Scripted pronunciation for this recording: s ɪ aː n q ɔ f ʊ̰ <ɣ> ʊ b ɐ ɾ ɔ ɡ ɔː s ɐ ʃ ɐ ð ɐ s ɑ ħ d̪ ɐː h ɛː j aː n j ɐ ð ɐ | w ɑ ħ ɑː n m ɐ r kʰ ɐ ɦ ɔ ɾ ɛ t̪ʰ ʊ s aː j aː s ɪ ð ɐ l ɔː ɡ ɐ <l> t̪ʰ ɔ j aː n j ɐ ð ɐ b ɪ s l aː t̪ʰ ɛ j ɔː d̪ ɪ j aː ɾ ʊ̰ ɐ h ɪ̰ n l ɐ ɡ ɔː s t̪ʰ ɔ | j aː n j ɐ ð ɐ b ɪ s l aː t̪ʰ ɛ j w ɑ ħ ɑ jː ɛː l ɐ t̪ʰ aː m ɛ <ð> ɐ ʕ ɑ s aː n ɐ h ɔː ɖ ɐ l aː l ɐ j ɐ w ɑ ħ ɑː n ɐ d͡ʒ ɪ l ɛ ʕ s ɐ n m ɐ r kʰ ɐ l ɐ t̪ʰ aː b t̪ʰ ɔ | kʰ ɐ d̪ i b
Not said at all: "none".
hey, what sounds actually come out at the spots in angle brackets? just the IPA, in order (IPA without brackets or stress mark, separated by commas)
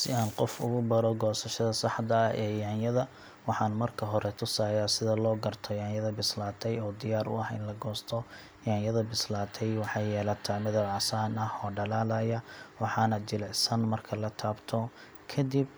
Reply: ɣ, r, ð